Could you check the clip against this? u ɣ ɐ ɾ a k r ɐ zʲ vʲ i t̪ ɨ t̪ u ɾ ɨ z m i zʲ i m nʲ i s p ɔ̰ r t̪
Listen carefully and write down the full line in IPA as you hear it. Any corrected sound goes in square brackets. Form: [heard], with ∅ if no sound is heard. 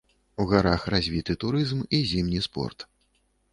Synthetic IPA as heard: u ɣ [a] ɾ a [x] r [a] zʲ vʲ i t̪ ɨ t̪ u ɾ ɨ z m i zʲ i m nʲ i s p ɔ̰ r t̪